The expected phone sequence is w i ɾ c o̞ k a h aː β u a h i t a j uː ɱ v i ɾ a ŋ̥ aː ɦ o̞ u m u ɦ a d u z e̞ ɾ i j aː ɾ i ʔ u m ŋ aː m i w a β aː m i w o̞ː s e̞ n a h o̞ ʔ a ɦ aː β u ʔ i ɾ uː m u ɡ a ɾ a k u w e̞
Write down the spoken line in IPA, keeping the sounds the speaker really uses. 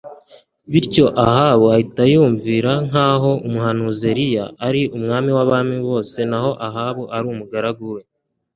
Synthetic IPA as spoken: β i ɾ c o̞ ʔ a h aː β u a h i t a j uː ɱ v i ɾ a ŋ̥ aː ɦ o̞ u m u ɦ a n u z e̞ ɾ i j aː ɾ i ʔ u m ŋ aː m i w a β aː m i β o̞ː s e̞ n a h o̞ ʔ a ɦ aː β u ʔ a ɾ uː m u ɡ a ɾ a ɡ u w e̞